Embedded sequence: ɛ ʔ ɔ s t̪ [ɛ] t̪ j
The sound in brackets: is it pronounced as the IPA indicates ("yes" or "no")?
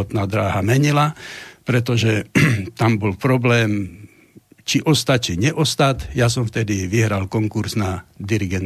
no